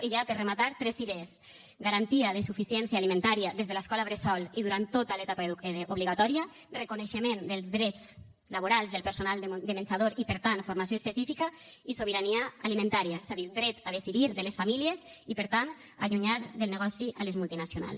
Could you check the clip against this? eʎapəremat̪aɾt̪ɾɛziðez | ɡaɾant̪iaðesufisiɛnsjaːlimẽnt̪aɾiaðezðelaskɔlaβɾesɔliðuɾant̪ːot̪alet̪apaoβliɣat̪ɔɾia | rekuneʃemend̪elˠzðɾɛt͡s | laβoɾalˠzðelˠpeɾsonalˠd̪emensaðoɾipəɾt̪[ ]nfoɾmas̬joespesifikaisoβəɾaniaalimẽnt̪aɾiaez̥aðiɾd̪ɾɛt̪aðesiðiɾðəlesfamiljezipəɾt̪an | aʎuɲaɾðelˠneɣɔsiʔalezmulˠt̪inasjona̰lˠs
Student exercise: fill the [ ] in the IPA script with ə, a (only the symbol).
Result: a